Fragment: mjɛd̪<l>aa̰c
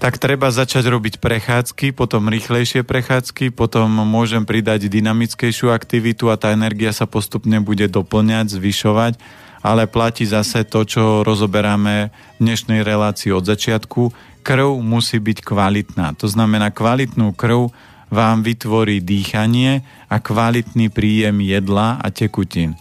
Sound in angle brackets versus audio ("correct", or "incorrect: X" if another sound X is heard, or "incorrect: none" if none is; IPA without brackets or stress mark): correct